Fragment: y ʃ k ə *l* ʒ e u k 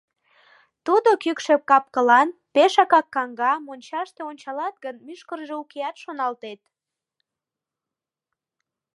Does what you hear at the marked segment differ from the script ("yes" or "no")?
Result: yes